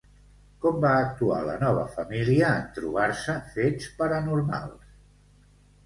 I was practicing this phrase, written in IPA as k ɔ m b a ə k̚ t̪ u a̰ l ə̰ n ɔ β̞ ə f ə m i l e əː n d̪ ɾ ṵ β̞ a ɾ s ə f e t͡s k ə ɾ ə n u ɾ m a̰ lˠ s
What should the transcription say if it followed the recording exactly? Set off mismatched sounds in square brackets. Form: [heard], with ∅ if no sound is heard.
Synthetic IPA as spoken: k ɔ m b a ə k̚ t̪ u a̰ l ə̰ n ɔ β̞ ə f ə m i l [i] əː n [t̪] ɾ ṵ β̞ a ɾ s ə f e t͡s [p] ə ɾ ə n u ɾ m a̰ lˠ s